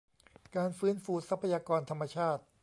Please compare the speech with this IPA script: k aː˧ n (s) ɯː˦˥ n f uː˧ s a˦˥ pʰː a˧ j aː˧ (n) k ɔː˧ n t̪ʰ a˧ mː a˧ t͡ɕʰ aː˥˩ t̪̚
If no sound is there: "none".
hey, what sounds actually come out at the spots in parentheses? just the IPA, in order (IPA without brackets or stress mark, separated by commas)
f, none